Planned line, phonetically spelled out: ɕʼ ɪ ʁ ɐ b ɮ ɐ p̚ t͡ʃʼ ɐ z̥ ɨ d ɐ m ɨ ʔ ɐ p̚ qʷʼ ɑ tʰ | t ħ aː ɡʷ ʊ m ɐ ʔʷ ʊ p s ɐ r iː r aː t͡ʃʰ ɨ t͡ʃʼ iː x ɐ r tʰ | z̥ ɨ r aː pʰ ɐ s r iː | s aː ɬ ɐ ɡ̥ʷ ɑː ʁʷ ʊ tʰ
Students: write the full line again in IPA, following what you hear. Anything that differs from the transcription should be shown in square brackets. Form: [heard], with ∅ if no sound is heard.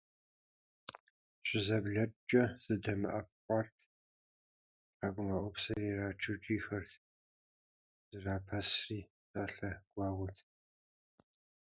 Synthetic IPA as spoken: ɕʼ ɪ [z] ɐ b ɮ ɐ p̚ t͡ʃʼ ɐ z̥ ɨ d ɐ m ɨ ʔ ɐ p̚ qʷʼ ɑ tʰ | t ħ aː ɡʷ ʊ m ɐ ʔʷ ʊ p s ɐ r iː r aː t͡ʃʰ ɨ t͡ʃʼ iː x ɐ r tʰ | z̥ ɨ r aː pʰ ɐ s r iː | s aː ɬ ɐ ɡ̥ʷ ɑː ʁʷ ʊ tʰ